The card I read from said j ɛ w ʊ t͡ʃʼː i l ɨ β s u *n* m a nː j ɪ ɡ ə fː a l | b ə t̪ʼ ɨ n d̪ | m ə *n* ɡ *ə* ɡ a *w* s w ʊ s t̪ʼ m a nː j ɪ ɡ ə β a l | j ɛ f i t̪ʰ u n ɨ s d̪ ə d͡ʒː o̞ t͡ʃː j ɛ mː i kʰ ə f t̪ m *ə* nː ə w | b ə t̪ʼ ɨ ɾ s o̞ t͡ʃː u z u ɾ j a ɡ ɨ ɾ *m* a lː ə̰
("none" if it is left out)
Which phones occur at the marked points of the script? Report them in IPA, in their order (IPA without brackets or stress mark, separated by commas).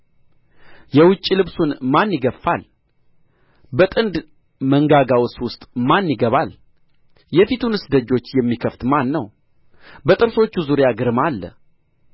n, ŋ, a, w, a, m